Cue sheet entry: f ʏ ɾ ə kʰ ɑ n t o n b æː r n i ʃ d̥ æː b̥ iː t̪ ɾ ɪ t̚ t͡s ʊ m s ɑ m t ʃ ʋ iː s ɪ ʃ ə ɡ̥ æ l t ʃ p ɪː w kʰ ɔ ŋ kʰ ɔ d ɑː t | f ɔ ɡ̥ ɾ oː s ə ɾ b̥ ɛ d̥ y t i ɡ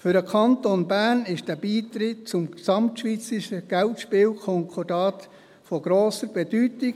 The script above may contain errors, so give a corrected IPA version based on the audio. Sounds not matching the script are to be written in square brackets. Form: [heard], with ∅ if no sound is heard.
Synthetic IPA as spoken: f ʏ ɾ ə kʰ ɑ n t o n b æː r n [ɪ] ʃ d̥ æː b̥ iː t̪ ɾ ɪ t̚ t͡s ʊ m s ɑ m t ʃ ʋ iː [t͡s] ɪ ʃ ə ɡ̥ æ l t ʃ p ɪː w kʰ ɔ ŋ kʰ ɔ d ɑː t | f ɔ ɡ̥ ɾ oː s ə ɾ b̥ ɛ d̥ y t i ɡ